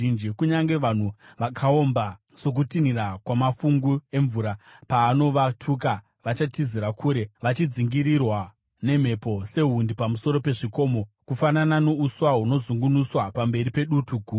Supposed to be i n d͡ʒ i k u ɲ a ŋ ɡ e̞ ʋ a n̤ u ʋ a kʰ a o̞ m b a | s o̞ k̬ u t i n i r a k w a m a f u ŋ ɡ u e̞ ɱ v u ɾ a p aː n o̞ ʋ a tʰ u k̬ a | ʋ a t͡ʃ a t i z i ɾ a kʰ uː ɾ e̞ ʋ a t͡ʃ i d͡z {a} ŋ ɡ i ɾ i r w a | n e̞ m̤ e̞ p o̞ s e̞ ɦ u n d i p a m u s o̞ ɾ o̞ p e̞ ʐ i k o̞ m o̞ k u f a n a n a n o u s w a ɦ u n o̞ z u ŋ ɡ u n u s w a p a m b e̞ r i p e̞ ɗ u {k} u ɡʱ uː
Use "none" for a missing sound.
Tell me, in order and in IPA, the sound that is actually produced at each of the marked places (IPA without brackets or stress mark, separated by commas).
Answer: i, t